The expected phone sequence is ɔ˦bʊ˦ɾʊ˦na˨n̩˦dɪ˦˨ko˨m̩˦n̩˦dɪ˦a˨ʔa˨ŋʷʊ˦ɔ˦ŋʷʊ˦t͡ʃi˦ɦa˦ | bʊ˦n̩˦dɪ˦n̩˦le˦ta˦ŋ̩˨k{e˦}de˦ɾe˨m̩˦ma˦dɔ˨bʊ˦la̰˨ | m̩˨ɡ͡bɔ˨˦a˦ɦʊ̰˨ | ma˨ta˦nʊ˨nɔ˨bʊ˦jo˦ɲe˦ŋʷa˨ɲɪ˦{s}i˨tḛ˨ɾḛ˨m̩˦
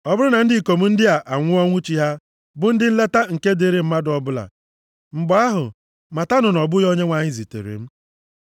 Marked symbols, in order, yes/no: yes, no

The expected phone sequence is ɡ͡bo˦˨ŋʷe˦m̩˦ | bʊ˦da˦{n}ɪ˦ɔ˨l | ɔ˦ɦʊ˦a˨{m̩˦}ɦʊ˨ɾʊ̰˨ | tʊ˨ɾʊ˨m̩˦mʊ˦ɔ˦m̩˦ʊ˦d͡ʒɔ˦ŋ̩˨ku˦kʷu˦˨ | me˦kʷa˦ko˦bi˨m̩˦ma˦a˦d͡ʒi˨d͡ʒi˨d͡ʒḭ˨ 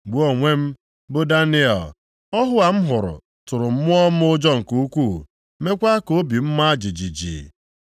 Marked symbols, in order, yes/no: yes, yes

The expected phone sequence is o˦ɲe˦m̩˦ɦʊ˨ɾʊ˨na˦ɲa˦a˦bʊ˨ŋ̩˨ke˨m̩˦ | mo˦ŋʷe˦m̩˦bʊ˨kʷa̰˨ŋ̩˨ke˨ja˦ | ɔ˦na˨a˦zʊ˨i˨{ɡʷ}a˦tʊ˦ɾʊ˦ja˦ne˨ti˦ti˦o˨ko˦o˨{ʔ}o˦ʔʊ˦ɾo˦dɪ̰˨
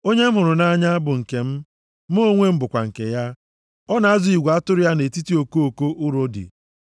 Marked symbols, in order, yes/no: yes, no

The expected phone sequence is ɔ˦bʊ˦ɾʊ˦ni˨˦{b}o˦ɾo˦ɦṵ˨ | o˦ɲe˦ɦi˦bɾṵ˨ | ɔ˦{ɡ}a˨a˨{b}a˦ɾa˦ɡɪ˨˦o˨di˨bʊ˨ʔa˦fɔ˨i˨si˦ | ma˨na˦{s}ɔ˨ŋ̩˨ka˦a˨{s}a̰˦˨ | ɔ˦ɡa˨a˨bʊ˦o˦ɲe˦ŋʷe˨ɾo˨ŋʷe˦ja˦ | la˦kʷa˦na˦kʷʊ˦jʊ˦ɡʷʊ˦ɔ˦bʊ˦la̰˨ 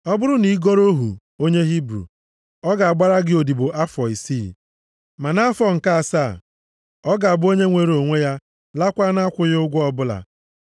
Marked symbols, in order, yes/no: no, yes, no, no, yes

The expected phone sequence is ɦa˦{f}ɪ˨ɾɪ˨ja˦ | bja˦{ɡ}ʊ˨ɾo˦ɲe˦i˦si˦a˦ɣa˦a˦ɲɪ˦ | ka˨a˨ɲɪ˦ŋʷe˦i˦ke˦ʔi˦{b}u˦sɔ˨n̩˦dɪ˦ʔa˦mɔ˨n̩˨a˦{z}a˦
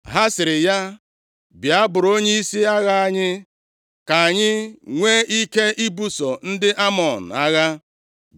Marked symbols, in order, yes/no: no, no, yes, no

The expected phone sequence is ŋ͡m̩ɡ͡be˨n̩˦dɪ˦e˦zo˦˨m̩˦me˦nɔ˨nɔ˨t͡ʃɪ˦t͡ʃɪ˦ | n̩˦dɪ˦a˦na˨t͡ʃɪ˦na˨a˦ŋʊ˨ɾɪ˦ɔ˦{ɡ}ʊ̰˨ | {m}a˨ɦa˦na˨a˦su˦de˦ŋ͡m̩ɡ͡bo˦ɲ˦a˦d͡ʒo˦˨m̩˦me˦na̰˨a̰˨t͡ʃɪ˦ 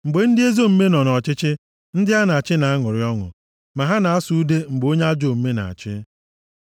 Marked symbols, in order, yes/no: no, yes

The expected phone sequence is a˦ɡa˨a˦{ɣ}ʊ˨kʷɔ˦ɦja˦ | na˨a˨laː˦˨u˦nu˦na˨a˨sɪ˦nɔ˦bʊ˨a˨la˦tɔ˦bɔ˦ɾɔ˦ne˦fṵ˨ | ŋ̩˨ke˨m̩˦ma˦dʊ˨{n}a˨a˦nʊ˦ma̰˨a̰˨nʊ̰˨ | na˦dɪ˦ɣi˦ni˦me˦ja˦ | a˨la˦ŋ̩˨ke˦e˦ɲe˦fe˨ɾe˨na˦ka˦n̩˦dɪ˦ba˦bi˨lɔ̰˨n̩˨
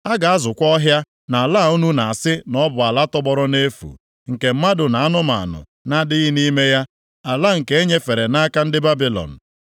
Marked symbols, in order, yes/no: no, yes

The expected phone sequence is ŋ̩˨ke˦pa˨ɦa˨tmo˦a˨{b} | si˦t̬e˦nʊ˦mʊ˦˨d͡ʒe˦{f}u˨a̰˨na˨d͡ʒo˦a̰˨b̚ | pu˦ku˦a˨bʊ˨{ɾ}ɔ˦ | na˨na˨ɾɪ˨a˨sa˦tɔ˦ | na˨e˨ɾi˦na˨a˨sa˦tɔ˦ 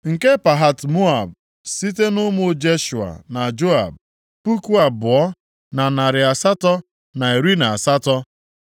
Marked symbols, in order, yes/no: yes, no, no

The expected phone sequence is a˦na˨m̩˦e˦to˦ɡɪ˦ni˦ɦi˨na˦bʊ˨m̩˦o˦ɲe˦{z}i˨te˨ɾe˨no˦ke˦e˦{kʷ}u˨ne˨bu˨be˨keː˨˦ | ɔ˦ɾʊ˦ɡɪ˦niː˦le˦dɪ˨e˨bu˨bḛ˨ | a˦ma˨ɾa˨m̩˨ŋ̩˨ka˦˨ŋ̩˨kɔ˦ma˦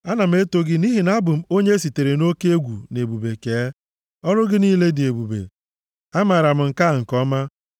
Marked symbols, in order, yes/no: no, no

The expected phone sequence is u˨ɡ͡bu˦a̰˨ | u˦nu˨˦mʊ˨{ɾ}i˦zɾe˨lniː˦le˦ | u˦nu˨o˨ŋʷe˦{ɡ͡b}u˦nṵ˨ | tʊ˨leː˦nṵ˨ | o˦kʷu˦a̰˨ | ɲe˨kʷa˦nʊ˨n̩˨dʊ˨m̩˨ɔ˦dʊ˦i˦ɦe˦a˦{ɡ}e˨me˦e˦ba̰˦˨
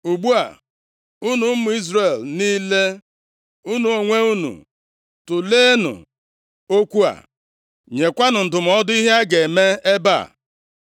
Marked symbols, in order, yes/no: no, no, yes

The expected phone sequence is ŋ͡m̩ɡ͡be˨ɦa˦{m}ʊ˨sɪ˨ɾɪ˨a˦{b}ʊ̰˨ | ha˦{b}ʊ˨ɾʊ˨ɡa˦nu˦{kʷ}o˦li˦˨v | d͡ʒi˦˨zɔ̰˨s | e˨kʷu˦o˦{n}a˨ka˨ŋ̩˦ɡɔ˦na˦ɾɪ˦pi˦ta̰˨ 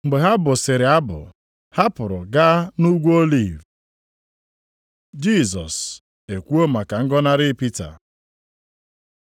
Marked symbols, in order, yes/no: no, yes, no, no, no

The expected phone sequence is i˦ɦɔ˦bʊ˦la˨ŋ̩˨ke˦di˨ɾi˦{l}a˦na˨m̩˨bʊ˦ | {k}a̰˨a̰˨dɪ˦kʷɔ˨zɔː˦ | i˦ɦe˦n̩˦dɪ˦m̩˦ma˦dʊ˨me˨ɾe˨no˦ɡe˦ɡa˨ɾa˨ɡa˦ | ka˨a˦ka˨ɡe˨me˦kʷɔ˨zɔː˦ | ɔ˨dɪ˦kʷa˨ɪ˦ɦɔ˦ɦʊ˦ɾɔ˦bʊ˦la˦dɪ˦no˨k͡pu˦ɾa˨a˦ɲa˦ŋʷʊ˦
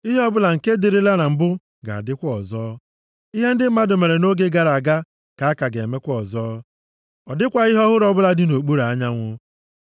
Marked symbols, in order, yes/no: yes, no

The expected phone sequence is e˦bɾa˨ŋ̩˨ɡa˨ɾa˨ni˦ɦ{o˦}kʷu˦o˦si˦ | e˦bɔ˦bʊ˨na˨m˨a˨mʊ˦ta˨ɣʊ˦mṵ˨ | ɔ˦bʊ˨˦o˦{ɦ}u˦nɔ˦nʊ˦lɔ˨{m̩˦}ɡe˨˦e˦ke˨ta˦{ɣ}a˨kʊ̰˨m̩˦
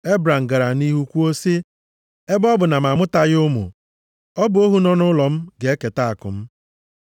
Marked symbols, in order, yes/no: no, yes, yes, no

